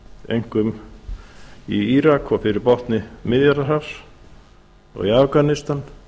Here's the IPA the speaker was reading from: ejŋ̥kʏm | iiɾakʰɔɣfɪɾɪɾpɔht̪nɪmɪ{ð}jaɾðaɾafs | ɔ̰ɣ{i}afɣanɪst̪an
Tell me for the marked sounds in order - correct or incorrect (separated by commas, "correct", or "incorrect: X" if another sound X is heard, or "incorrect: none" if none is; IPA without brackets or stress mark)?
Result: correct, correct